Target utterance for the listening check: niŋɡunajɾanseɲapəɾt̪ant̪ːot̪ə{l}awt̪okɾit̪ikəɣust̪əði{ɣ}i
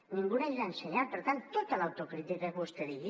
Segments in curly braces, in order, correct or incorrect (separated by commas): correct, correct